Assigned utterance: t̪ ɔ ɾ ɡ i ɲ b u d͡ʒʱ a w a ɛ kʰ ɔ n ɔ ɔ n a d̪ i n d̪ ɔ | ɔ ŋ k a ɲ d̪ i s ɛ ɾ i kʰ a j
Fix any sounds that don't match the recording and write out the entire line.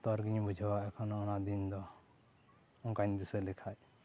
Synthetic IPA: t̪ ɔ ɾ ɡ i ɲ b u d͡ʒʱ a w a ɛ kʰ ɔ n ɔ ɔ n a d̪ i n d̪ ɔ | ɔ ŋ k a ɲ d̪ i s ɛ l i kʰ a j